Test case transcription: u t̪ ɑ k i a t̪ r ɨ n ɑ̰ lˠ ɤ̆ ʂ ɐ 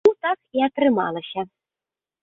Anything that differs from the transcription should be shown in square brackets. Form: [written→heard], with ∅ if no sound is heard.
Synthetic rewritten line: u t̪ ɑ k i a t̪ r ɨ [n→m] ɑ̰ lˠ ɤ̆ [ʂ→ɕ] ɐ